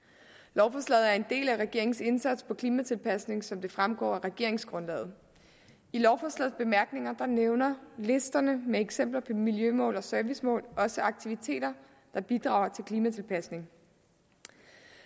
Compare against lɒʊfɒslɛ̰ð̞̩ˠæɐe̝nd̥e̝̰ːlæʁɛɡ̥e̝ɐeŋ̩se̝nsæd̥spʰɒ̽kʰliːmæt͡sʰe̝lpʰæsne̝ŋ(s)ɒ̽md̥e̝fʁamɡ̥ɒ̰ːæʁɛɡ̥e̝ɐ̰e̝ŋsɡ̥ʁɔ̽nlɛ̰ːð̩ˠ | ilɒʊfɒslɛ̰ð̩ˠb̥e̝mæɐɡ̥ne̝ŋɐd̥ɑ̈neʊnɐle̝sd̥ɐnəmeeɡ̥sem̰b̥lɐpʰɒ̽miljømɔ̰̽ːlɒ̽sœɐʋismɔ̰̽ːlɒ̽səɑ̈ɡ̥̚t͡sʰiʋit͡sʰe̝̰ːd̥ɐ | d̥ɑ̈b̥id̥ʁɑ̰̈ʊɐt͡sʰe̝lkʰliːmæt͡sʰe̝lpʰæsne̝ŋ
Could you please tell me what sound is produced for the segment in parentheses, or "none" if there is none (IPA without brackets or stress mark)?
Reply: s